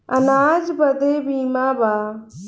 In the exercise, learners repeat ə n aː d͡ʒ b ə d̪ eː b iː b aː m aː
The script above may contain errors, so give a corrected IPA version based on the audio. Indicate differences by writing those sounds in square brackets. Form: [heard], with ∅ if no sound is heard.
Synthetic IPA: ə n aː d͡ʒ b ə d̪ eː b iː [m] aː [b] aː